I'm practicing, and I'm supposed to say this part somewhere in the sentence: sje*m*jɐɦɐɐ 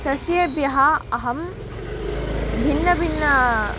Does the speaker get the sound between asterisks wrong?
yes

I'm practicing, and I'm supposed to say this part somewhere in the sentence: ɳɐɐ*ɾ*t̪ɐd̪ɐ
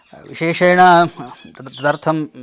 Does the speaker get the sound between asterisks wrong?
yes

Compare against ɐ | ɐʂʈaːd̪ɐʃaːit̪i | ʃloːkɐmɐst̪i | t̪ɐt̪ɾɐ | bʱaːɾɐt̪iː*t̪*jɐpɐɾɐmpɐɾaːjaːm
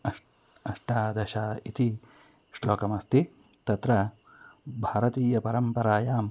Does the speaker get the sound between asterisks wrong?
yes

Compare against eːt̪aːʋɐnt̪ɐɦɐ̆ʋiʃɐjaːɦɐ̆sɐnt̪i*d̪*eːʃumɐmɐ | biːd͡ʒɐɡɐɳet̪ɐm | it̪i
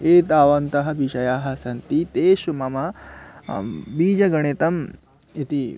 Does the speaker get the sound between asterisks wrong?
yes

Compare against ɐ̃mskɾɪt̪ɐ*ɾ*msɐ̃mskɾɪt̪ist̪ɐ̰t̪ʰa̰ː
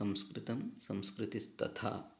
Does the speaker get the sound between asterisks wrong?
yes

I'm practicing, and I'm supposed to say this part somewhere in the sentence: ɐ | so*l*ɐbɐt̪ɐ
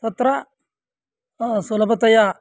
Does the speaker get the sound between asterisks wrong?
no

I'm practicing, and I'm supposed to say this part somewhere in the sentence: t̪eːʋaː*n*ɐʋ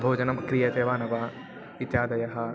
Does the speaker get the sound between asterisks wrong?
no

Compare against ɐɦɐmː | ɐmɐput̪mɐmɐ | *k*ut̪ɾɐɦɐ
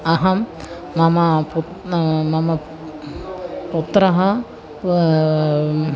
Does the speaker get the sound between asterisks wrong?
yes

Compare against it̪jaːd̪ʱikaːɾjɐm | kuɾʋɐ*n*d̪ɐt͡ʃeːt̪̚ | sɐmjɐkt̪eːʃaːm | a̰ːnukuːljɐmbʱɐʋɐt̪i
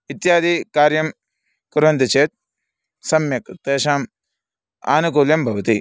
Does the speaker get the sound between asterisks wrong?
no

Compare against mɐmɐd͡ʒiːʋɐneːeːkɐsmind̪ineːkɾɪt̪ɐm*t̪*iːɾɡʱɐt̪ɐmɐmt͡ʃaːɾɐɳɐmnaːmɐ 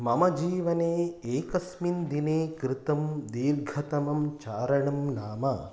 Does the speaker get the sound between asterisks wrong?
yes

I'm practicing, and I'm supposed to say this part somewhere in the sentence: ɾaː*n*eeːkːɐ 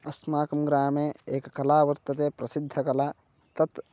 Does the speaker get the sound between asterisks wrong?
yes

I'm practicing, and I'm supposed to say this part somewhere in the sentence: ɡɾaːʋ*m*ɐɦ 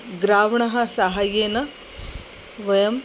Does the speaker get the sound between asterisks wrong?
yes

